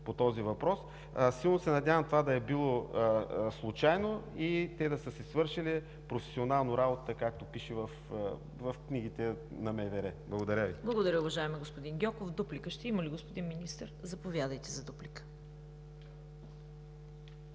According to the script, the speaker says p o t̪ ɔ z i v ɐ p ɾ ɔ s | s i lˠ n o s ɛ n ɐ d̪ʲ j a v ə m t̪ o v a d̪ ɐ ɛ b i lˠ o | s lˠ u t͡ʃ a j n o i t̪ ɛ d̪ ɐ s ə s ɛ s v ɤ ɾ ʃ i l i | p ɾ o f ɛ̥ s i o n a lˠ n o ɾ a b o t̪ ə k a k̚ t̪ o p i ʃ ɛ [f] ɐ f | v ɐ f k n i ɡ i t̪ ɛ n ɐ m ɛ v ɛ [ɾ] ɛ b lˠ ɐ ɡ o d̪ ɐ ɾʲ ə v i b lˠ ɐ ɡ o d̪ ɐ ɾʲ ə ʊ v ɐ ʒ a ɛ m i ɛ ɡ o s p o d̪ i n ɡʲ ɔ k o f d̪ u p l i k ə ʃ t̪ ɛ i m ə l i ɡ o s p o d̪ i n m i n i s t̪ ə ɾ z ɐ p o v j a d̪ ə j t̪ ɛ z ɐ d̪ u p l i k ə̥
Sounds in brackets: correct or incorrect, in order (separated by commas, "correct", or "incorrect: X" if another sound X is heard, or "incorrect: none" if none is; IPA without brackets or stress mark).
incorrect: v, correct